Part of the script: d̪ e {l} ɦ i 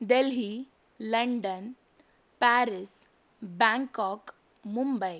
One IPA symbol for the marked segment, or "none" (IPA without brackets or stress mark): l